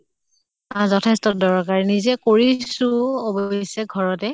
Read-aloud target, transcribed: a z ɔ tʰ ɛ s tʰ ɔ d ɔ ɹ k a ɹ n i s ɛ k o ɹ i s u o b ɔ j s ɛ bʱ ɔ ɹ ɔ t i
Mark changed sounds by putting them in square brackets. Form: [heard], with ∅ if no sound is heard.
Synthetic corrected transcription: a z ɔ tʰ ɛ s [t] ɔ d ɔ ɹ k a ɹ n i [z] ɛ k o ɹ i s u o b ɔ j s ɛ [ɡʱ] ɔ ɹ ɔ t [ɛ]